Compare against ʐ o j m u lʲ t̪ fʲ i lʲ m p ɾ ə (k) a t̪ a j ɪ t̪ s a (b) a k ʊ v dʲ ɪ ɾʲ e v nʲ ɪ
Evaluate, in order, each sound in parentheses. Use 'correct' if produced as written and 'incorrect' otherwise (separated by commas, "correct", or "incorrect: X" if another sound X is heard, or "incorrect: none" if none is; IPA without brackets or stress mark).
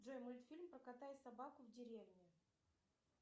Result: correct, correct